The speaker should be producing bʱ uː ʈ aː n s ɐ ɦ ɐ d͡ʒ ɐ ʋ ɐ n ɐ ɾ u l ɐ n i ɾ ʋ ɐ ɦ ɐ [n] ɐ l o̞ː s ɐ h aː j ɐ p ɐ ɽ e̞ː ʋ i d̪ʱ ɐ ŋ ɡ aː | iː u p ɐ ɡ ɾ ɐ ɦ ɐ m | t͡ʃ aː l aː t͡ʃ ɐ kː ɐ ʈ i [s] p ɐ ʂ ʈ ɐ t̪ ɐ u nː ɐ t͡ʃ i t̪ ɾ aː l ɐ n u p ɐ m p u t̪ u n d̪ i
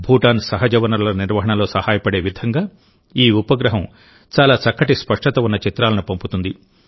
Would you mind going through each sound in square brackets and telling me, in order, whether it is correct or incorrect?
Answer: incorrect: ɳ, correct

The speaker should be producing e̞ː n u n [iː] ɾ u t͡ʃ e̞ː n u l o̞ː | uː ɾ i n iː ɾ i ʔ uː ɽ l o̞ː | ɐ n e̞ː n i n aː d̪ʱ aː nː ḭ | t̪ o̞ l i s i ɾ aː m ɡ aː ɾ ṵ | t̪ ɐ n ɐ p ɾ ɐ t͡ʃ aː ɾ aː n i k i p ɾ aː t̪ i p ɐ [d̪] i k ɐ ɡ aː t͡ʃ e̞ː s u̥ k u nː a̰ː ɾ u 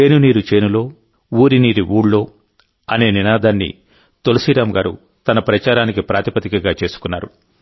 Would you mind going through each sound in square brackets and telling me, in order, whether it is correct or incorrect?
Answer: correct, incorrect: t̪

